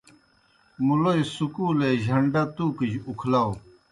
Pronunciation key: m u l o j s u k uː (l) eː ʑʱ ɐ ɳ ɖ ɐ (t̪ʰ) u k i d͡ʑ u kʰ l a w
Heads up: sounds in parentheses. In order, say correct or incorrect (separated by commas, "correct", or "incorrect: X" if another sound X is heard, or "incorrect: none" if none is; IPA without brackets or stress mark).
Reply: correct, incorrect: t̪